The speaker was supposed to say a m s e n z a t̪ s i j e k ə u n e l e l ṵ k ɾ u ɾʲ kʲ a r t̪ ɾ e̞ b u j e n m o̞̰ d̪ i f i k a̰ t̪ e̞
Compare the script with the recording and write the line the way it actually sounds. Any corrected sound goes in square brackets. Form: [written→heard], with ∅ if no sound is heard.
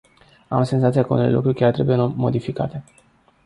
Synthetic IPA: a m s e n z a t̪ s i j [e→a] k ə u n e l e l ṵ k ɾ u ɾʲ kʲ a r t̪ ɾ e̞ b u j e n m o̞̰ d̪ i f i k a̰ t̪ e̞